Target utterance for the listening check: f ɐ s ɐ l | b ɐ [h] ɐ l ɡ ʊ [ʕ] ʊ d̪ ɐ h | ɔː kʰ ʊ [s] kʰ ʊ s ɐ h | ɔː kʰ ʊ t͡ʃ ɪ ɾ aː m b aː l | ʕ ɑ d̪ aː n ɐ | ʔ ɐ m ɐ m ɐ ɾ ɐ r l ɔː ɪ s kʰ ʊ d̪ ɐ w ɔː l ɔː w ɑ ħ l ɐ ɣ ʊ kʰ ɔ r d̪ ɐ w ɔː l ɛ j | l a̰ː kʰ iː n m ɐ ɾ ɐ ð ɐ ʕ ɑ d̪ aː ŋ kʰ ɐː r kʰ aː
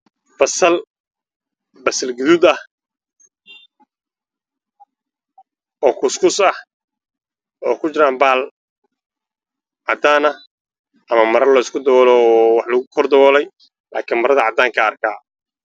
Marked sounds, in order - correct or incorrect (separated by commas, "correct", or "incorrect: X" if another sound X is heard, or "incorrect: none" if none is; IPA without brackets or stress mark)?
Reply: incorrect: s, incorrect: ð, correct